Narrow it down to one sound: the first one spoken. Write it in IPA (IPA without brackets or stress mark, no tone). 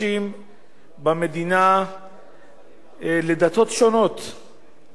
i